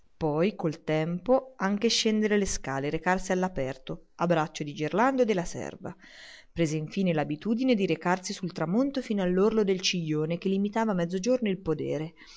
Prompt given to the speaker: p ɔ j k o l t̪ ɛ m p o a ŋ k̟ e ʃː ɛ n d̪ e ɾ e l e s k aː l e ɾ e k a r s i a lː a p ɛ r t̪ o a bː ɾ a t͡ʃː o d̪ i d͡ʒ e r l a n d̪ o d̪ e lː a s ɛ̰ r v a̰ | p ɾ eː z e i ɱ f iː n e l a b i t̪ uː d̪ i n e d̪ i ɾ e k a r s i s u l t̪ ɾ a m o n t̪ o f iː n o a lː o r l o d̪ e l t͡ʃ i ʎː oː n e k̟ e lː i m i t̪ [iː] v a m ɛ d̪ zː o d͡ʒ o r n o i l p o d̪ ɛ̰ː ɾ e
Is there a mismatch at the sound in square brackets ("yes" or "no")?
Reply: yes